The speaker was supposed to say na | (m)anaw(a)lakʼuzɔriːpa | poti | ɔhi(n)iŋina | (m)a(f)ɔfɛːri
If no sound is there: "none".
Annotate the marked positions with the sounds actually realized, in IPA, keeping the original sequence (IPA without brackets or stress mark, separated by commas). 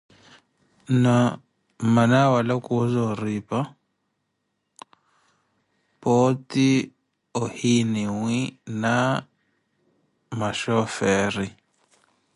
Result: m, a, n, m, ʃ